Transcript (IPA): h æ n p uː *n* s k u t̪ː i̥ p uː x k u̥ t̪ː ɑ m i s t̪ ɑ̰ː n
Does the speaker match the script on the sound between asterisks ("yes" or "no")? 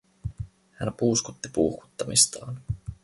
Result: no